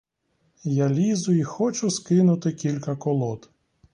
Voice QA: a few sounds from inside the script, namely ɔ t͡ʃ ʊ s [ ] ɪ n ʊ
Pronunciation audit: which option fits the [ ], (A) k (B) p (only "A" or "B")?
A